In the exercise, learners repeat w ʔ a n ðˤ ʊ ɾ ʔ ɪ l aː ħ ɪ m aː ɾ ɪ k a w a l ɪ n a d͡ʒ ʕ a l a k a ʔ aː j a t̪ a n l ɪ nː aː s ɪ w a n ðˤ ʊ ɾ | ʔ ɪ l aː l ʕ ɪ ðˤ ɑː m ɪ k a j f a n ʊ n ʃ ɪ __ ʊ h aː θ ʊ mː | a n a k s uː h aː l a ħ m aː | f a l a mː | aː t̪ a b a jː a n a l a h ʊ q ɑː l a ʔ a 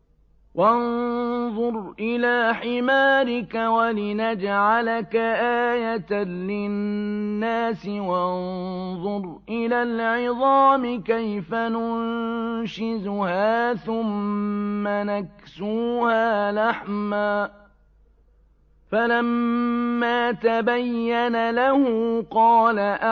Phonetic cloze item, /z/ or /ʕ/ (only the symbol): z